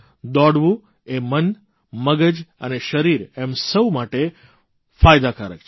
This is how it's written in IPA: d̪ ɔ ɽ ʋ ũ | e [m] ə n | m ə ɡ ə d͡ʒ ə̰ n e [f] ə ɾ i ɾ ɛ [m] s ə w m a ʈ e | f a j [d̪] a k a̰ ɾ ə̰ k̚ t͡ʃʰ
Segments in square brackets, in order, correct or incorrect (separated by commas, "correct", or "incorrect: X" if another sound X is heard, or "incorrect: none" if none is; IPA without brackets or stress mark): correct, incorrect: ʃ, correct, correct